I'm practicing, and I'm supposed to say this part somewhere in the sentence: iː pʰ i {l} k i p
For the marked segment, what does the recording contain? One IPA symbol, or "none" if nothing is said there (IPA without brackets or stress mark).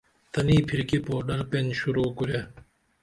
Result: ɾ